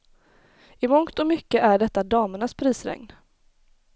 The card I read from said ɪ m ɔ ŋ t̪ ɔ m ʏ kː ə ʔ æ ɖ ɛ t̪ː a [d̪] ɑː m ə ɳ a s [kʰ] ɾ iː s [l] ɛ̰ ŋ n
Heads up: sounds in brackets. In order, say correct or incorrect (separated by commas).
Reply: correct, incorrect, incorrect